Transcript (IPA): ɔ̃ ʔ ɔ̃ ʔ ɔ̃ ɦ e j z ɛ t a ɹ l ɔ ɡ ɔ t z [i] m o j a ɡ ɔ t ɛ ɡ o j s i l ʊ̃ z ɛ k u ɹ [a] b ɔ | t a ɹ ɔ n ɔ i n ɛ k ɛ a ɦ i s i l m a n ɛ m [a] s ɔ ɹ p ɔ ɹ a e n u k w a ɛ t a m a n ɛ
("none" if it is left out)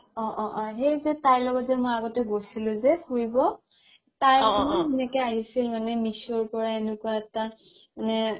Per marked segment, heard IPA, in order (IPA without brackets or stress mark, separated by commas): ɛ, i, i